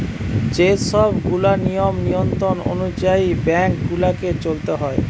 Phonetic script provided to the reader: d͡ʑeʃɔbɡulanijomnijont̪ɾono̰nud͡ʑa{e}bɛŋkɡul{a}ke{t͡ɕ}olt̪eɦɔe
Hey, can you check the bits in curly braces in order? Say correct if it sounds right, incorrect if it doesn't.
incorrect: i, correct, correct

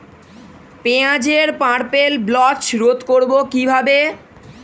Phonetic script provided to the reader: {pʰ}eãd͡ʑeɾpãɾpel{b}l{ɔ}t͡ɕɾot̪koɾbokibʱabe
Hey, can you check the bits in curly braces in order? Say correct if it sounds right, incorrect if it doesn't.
incorrect: p, correct, correct

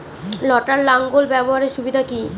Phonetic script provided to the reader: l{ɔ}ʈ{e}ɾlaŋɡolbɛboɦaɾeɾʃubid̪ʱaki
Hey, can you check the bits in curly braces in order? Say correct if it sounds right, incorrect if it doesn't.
correct, incorrect: a

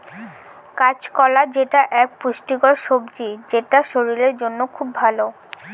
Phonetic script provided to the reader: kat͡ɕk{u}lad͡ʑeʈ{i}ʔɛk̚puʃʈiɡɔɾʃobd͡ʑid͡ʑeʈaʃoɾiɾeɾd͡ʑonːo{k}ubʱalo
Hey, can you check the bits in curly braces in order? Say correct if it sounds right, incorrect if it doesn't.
incorrect: ɔ, incorrect: a, incorrect: kʰ

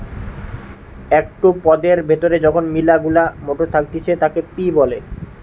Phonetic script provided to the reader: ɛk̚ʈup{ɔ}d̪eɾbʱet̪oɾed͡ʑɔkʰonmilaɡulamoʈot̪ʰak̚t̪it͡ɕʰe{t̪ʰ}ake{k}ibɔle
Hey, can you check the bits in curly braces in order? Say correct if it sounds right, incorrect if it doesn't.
correct, incorrect: t̪, incorrect: p

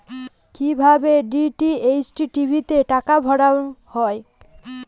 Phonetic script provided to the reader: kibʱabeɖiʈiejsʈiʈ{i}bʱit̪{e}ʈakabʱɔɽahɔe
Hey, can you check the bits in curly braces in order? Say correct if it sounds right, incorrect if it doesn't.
correct, correct

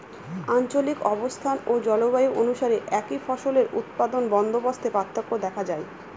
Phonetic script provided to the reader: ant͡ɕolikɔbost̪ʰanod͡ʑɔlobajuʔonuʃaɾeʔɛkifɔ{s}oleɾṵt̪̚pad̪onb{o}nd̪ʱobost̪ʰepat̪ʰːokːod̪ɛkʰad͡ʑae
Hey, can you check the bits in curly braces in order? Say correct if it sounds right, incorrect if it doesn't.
incorrect: ʃ, incorrect: ɔ

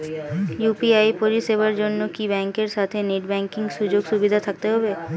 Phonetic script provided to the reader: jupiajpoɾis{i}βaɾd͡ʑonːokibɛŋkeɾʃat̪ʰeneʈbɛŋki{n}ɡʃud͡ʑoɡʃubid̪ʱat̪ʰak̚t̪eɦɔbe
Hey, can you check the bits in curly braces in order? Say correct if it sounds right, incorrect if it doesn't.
incorrect: e, incorrect: ŋ

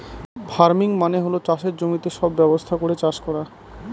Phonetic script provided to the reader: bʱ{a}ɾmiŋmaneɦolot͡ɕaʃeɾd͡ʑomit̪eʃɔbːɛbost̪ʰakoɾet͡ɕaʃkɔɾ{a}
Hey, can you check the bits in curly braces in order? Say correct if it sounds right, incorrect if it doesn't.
correct, correct

